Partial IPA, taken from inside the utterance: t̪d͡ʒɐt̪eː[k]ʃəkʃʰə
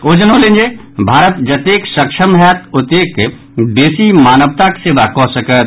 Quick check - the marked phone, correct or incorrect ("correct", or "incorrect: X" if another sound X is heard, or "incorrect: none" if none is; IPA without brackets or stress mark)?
correct